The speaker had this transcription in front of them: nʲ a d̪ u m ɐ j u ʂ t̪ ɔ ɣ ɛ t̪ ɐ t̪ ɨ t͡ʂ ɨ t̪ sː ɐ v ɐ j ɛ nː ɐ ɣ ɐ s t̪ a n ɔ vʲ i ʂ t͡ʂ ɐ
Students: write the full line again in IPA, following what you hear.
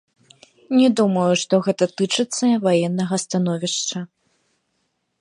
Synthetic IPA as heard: nʲ ɛ d̪ u m ɐ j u ʂ t̪ ɔ ɣ ɛ t̪ ɐ t̪ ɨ t͡ʂ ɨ t̪ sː ɐ v a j ɛ nː ɐ ɣ ɐ s t̪ a n ɔ vʲ i ʂ t͡ʂ ɐ